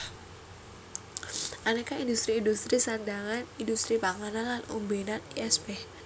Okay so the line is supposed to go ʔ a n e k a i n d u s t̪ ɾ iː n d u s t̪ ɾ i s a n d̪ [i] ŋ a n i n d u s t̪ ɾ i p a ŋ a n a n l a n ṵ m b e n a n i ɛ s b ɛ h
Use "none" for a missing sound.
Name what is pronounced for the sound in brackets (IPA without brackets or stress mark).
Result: a